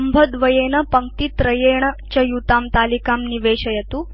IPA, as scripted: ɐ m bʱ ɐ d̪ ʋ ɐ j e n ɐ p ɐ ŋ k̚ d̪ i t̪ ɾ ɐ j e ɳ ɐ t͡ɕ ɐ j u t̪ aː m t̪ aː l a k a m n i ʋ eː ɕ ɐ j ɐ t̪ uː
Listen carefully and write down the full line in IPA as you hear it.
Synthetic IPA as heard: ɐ m bʱ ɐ d̪ ʋ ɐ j e n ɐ p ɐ ŋ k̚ t̪ i t̪ ɾ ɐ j e ɳ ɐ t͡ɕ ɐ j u t̪ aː m t̪ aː l i k a m n i ʋ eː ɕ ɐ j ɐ t̪ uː